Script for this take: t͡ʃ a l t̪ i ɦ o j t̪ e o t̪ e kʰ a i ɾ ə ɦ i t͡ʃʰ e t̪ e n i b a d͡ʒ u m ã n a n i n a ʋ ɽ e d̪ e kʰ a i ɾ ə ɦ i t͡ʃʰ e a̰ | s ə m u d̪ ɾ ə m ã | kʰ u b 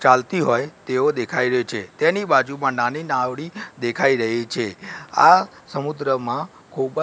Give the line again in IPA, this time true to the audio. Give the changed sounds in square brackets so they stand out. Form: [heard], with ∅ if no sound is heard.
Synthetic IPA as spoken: t͡ʃ a l t̪ i ɦ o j t̪ e o [d̪] e kʰ a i ɾ ə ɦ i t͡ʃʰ e t̪ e n i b a d͡ʒ u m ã n a n i n a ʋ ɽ [i] d̪ e kʰ a i ɾ ə ɦ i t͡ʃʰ e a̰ | s ə m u d̪ ɾ ə m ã | kʰ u b